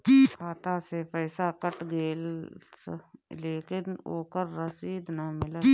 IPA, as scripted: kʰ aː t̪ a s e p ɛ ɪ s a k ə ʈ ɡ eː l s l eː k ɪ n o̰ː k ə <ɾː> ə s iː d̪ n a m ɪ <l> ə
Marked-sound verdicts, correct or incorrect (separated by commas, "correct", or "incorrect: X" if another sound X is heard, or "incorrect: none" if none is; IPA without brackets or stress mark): correct, correct